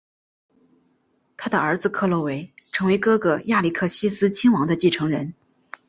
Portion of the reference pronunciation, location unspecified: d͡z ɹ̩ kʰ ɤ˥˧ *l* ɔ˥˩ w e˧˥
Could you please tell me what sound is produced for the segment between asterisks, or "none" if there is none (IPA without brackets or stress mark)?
l